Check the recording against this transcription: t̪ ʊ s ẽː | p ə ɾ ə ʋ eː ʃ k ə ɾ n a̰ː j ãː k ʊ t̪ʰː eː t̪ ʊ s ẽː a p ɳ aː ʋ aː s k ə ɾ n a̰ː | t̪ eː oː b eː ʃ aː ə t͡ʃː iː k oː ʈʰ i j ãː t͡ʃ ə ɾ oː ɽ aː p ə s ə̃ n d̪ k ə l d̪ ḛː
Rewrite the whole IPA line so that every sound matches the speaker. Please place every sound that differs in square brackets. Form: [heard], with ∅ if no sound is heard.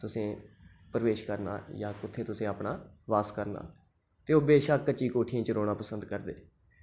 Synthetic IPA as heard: t̪ ʊ s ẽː | p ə ɾ ə ʋ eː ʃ k ə ɾ n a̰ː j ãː k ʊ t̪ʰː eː t̪ ʊ s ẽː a p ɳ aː ʋ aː s k ə ɾ n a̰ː | t̪ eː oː b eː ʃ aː ə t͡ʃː iː k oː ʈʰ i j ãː t͡ʃ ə ɾ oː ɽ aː p ə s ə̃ n d̪ k ə [ɾ] d̪ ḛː